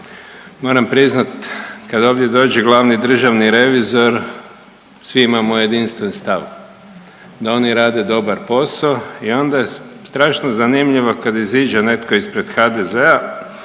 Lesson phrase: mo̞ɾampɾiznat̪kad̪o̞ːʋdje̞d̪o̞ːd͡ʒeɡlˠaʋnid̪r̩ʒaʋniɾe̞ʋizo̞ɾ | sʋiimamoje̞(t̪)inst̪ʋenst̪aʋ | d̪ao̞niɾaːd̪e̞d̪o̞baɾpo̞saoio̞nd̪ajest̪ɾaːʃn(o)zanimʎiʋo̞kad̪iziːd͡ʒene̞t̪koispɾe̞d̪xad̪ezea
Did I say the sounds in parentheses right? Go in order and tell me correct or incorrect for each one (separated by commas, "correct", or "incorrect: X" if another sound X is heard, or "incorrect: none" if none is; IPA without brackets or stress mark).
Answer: incorrect: d̪, correct